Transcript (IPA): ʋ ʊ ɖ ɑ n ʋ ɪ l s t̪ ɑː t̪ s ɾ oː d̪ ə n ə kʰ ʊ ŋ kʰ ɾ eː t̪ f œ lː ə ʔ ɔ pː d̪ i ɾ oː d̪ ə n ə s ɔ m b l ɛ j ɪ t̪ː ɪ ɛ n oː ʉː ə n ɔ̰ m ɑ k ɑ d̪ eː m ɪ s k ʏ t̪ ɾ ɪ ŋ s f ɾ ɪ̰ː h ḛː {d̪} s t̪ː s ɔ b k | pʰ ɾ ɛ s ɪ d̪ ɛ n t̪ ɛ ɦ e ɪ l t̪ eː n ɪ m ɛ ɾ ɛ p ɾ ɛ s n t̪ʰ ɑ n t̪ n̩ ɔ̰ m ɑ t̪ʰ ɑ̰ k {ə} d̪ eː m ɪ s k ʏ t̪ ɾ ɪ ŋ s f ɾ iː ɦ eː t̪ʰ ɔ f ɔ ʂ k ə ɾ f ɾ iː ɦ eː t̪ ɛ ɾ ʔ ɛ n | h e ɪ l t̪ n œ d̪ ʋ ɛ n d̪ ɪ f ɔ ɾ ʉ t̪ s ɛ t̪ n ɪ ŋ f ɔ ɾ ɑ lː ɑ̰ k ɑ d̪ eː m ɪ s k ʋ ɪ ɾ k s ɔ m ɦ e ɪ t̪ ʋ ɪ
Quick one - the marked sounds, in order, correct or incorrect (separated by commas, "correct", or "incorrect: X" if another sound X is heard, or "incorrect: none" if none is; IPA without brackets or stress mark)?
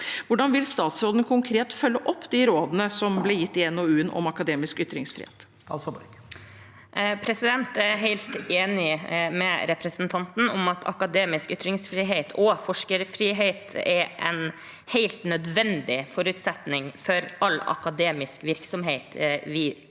incorrect: t̪, incorrect: ɑ